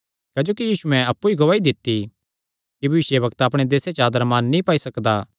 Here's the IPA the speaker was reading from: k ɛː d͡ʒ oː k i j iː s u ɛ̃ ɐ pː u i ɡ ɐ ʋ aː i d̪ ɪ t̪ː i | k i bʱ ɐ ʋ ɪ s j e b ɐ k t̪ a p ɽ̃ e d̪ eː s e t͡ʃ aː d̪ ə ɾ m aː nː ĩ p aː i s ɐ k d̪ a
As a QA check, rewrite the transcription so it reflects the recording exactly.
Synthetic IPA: k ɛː d͡ʒ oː k i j iː s u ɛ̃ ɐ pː u i ɡ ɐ ʋ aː i d̪ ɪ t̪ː i | k i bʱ ɐ ʋ ɪ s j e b ɐ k t̪ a p ɽ̃ e d̪ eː s e t͡ʃ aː d̪ ə ɾ m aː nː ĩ p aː i s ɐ k d̪ a